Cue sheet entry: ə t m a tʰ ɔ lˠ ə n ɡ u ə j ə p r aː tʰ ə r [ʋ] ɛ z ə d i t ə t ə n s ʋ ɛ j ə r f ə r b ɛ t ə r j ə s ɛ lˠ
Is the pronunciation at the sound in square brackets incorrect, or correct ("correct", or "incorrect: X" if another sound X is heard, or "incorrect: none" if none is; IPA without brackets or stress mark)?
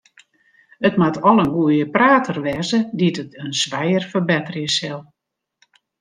correct